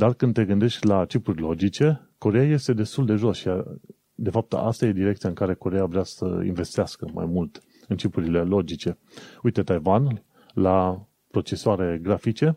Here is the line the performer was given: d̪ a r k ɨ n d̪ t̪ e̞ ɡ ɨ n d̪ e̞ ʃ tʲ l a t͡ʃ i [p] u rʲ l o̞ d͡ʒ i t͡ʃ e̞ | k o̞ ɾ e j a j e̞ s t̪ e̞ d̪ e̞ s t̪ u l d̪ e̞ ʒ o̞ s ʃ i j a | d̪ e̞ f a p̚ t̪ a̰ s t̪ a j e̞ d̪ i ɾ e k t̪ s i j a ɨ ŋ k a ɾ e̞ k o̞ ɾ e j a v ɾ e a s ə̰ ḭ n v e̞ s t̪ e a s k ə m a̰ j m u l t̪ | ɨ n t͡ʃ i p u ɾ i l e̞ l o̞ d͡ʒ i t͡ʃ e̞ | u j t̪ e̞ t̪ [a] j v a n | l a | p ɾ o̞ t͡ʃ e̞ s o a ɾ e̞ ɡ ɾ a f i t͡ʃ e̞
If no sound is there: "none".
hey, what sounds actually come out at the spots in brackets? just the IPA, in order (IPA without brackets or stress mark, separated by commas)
p, a